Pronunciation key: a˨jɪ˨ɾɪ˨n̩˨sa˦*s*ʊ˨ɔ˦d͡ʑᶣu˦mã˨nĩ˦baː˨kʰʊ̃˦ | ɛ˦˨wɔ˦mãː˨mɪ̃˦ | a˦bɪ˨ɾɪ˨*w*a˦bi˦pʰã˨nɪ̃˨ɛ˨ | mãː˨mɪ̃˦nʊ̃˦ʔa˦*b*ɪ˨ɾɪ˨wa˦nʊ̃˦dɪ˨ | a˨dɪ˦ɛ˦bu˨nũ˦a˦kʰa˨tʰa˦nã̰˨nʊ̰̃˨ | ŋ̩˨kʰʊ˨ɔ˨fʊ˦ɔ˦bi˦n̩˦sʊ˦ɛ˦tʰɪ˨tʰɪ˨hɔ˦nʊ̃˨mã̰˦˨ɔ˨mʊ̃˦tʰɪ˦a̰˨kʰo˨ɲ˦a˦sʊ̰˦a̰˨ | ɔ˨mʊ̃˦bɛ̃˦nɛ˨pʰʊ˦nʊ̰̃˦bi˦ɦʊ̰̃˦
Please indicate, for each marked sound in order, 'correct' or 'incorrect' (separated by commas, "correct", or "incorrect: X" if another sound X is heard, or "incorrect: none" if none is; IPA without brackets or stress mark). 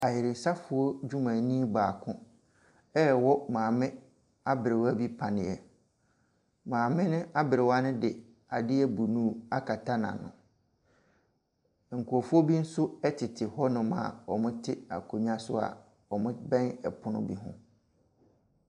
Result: incorrect: f, correct, correct